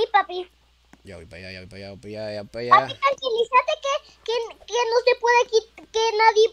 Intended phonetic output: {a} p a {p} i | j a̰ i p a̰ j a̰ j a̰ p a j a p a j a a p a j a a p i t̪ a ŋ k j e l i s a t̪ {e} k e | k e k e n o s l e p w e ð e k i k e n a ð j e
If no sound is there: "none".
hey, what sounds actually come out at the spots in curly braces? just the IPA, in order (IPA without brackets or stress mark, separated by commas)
i, p, e